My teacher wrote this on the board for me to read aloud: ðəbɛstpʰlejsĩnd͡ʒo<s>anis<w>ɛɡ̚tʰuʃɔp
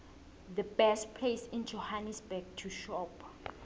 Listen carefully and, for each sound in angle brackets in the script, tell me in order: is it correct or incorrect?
incorrect, incorrect

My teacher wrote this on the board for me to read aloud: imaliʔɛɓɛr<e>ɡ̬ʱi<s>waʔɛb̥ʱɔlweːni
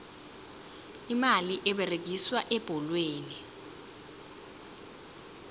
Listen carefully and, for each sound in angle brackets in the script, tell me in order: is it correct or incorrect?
correct, correct

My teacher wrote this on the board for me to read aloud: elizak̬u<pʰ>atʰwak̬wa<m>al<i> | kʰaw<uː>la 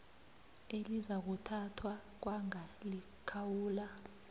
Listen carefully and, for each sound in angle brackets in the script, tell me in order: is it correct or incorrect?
incorrect, incorrect, correct, correct

